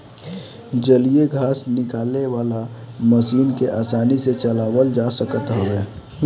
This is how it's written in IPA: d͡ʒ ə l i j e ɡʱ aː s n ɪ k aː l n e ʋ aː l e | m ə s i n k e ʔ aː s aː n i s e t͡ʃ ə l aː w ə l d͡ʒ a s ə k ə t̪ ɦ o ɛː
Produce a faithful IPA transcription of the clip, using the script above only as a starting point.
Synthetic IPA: d͡ʒ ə l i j e ɡʱ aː s n ɪ k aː l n e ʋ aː l a | m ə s iː n k e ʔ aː s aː n i s e t͡ʃ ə l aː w ə l d͡ʒ a s ə k ə t̪ ɦ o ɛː